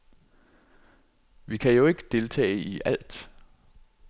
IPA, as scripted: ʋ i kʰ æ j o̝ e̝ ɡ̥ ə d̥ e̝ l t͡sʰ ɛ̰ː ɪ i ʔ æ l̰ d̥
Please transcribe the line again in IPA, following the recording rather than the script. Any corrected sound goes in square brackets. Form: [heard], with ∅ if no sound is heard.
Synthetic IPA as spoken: ʋ i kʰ æ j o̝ e̝ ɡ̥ ə d̥ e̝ l t͡sʰ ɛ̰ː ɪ i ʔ æ l̰ d̥